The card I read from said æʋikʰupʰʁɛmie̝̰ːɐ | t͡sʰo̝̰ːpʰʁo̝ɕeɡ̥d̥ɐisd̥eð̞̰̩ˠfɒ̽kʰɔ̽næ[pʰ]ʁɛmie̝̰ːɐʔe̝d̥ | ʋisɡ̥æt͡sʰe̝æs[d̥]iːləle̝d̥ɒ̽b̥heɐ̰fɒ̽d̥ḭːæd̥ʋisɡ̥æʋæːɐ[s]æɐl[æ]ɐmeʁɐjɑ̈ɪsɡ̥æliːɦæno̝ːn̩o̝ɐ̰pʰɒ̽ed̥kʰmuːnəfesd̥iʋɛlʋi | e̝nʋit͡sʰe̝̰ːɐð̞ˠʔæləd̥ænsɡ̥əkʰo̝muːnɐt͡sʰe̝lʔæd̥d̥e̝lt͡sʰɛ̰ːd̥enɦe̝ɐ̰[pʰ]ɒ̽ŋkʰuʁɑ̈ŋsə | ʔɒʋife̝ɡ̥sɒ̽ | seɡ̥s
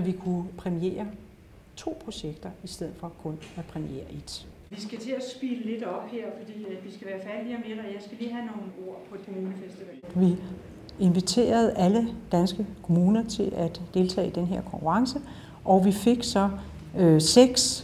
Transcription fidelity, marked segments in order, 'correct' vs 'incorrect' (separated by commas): correct, incorrect, incorrect, incorrect, incorrect